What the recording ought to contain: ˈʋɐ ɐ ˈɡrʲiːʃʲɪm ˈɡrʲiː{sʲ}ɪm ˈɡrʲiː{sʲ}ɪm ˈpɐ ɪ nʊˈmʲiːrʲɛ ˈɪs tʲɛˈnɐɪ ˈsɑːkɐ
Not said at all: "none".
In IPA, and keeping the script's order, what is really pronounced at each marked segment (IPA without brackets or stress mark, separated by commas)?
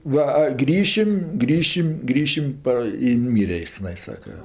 ʃʲ, ʃʲ